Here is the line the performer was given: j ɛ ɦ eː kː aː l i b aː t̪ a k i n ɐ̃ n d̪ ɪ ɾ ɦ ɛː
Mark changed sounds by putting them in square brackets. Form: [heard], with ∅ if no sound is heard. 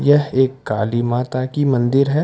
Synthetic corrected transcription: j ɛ ɦ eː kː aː l i [m] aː t̪ a k i [m] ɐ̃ n d̪ ɪ ɾ ɦ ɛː